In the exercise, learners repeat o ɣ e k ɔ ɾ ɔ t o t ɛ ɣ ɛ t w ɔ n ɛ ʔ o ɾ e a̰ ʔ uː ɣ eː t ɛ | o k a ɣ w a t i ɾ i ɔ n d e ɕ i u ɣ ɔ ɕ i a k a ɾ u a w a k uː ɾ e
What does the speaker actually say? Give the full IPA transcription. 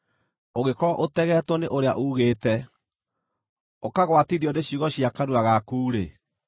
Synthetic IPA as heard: o ɣ e k ɔ ɾ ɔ ʔ o t ɛ ɣ ɛ t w ɔ n e ʔ o ɾ e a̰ ʔ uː ɣ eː t ɛ | o k a ɣ w a t i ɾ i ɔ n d e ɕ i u ɣ ɔ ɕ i a k a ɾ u a ɣ a k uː ɾ e